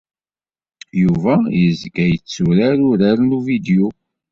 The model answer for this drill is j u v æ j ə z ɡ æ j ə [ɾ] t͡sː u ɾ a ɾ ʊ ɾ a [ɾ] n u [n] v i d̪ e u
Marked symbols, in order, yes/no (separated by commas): no, yes, no